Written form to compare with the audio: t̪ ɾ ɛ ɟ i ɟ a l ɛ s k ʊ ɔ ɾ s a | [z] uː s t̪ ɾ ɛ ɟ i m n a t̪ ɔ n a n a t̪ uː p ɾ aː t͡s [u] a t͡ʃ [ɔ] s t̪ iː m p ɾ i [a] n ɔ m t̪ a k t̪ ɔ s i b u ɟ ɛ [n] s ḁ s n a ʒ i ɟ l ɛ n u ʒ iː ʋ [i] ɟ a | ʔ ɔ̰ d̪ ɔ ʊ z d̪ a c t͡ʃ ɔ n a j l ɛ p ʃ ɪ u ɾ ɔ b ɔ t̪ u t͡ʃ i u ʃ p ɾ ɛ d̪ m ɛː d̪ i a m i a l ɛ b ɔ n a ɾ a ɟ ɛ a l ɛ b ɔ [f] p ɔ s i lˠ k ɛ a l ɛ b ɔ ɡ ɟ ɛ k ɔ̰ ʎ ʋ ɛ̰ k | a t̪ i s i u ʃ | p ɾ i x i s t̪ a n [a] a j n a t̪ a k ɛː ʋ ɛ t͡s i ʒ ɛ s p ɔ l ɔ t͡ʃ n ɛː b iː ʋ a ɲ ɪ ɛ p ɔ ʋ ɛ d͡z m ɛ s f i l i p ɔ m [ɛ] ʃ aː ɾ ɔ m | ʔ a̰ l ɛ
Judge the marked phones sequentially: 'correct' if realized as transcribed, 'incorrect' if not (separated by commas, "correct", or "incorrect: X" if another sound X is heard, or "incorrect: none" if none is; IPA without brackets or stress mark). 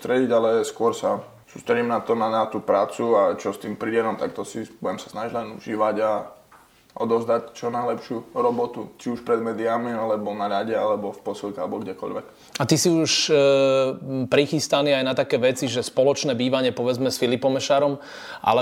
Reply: incorrect: s, correct, correct, incorrect: ɛ, incorrect: m, incorrect: a, correct, incorrect: i, correct